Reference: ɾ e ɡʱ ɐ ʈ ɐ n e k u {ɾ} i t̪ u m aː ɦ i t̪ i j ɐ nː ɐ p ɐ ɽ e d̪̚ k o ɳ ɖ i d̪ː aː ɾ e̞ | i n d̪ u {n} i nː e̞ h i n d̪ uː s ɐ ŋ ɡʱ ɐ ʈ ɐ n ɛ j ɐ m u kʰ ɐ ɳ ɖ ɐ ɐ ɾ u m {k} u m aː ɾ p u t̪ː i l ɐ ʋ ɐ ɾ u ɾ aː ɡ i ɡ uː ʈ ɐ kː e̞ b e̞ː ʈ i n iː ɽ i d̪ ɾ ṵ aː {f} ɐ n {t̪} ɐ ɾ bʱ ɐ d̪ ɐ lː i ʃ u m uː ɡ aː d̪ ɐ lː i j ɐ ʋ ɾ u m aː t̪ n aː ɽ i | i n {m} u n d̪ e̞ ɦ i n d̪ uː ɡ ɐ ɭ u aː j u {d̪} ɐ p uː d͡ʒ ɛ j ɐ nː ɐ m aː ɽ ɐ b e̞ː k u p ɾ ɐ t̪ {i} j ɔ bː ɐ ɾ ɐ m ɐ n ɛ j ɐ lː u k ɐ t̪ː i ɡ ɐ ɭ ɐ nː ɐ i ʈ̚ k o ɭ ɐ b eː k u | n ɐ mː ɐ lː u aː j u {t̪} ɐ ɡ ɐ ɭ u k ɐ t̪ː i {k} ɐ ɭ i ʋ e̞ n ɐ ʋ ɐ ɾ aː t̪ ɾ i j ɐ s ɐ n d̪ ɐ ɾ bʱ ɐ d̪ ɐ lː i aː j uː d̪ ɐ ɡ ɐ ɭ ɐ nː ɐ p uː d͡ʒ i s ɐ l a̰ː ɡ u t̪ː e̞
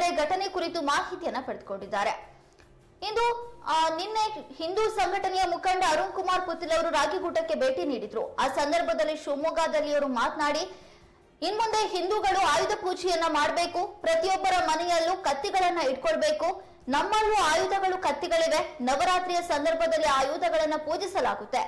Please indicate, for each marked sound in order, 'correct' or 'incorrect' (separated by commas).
correct, correct, correct, incorrect, incorrect, correct, correct, correct, incorrect, incorrect